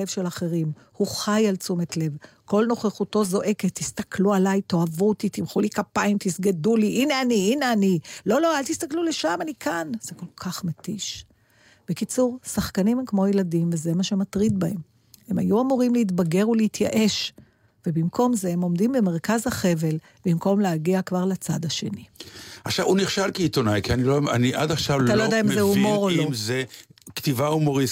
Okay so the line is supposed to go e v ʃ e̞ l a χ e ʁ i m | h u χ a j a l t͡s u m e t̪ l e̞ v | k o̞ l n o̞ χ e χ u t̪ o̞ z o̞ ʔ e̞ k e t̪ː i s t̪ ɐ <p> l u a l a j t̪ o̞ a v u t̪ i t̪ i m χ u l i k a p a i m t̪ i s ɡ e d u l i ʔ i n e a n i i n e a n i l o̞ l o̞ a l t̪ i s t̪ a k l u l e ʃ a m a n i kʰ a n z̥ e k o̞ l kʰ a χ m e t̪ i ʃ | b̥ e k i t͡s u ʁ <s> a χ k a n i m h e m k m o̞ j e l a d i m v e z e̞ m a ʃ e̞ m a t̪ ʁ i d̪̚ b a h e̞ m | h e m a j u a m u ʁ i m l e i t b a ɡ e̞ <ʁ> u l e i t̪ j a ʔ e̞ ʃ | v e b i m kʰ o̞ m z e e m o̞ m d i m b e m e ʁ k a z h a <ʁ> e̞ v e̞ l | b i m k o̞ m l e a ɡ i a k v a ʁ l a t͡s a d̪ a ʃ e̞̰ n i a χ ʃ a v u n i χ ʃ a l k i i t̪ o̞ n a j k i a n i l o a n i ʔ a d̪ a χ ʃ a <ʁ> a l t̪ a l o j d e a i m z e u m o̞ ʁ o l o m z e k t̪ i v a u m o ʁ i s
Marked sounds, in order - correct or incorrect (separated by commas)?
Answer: incorrect, correct, correct, incorrect, incorrect